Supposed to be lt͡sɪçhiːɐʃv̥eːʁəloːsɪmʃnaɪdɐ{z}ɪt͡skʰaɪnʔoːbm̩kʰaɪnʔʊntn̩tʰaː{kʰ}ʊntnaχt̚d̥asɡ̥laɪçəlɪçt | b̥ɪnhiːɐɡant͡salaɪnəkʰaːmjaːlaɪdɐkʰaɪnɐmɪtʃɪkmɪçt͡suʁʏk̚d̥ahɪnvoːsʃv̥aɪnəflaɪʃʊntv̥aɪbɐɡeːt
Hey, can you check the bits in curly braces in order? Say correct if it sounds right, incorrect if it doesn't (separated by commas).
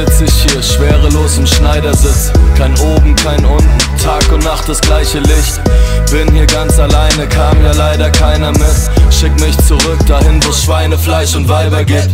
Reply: correct, incorrect